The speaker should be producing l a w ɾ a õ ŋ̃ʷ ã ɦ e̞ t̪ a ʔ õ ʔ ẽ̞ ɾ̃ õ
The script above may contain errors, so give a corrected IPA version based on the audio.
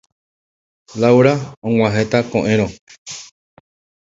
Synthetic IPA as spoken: l a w ɾ a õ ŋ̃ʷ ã ɦ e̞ t̪ a k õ ʔ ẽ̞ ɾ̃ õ

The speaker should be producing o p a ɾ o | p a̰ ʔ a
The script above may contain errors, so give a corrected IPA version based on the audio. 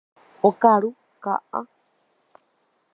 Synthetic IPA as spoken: o k a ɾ u | k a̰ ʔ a

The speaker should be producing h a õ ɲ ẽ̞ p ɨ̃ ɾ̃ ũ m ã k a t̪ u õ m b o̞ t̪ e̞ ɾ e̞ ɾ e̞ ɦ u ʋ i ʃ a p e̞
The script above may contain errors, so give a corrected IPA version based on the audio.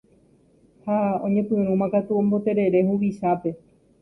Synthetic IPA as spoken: h a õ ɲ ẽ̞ p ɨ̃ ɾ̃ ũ m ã k a t̪ u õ m b o̞ t̪ e̞ ɾ e̞ ɾ e̞ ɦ u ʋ i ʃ a p e̞

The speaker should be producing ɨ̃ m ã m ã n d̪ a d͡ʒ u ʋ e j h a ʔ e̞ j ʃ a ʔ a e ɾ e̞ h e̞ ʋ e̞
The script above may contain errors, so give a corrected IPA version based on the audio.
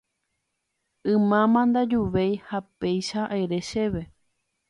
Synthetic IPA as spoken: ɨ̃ m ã m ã n d̪ a d͡ʒ u ʋ e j h a p e̞ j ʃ a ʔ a e ɾ e̞ ʃ e̞ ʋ e̞

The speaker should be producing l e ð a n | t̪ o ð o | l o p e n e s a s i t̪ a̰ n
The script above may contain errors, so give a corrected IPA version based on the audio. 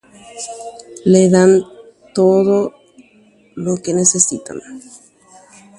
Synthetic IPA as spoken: l e ð a n | t̪ o ð o | l o k e n e s e s i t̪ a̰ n

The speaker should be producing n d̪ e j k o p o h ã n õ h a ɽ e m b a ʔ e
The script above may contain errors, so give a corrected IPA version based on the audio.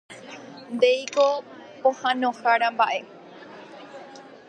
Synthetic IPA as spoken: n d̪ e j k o p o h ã n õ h a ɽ a m b a ʔ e

